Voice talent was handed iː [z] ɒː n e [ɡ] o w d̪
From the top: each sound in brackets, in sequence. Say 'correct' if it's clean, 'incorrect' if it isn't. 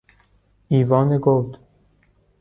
incorrect: v, correct

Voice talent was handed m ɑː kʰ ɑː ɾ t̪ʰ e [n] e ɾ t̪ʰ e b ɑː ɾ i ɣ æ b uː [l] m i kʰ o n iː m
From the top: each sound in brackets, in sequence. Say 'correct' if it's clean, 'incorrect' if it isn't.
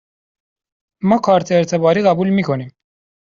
incorrect: none, correct

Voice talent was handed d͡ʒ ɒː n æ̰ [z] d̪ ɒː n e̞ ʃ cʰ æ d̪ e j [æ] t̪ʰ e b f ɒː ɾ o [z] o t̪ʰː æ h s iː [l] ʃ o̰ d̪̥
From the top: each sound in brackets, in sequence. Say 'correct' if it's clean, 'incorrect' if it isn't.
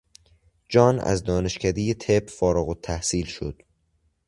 correct, incorrect: e, incorrect: ɣ, correct

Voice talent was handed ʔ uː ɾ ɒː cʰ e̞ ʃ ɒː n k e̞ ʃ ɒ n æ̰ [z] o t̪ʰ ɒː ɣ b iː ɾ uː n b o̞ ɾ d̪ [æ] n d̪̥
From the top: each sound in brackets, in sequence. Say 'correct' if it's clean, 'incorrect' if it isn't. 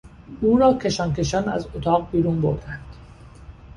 correct, correct

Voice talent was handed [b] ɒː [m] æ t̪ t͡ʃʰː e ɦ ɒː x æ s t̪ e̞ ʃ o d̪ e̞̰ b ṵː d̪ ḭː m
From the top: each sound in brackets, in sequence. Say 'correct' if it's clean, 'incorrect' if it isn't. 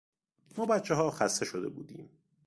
incorrect: m, incorrect: b

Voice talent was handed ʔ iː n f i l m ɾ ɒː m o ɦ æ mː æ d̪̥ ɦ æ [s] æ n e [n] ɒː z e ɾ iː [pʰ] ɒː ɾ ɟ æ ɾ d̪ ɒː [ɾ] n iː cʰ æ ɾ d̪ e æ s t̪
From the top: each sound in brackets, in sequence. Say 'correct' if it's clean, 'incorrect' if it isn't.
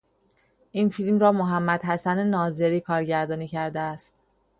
correct, correct, incorrect: kʰ, incorrect: none

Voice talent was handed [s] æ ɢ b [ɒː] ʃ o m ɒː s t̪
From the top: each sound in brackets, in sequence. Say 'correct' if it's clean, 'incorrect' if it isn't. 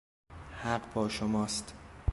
incorrect: h, correct

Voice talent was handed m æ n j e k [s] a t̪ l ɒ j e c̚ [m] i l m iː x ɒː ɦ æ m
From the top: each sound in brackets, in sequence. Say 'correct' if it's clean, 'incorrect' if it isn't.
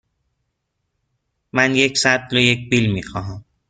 correct, incorrect: b

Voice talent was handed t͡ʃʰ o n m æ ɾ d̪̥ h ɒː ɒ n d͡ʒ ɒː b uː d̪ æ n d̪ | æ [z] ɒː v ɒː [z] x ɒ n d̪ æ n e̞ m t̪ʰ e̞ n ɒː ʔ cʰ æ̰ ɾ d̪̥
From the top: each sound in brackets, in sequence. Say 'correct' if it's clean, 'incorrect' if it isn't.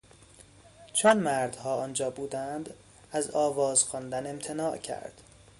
correct, correct

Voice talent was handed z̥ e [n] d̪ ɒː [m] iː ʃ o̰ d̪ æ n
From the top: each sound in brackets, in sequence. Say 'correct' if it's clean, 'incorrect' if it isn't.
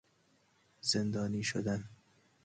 correct, incorrect: n

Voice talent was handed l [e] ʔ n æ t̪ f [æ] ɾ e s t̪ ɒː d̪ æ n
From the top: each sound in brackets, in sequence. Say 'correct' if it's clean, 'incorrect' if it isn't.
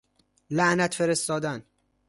incorrect: æ, incorrect: e

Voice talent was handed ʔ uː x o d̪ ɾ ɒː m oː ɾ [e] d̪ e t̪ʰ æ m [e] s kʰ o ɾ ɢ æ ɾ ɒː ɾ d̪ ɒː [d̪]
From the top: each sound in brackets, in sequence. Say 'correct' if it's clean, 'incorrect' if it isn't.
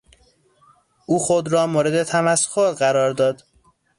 correct, incorrect: æ, correct

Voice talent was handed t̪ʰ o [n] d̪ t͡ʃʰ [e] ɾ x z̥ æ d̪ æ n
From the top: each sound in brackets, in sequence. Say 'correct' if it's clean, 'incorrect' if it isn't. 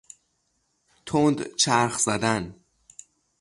correct, incorrect: æ

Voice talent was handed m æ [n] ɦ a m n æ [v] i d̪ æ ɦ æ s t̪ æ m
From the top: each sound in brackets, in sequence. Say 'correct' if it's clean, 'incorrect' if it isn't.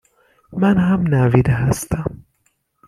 correct, correct

